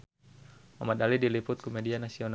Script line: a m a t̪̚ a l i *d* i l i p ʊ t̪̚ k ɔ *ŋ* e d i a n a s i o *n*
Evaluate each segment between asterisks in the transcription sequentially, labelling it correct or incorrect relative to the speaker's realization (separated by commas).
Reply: correct, incorrect, correct